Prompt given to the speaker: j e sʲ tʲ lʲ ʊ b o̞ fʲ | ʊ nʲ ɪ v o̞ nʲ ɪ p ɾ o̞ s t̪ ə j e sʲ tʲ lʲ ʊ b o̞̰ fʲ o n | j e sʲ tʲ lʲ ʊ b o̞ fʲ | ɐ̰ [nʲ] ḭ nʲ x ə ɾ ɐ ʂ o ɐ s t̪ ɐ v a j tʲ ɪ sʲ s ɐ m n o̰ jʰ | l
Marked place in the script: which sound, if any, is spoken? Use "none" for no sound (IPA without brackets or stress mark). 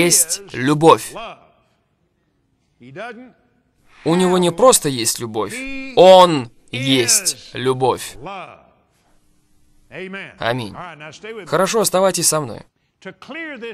mʲ